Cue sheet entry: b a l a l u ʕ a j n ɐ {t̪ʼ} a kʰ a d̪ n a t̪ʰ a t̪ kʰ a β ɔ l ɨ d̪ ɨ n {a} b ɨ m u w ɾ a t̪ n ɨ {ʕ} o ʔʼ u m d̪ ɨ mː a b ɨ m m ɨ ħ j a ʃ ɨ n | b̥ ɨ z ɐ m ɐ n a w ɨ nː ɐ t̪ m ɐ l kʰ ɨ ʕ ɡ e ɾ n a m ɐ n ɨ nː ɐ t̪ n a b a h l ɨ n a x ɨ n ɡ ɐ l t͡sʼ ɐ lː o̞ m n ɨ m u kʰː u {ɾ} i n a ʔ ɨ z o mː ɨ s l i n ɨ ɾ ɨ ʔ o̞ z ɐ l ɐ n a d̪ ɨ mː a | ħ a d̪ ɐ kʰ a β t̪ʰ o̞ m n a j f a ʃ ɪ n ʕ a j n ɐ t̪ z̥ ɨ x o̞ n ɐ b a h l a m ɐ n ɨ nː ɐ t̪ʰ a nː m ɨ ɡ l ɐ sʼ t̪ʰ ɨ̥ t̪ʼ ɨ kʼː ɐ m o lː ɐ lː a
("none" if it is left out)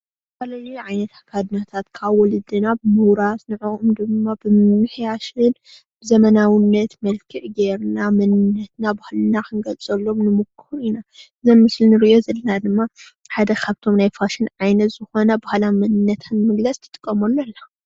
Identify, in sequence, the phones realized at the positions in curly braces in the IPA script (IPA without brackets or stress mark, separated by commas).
t̪, a, ʕ, ɾ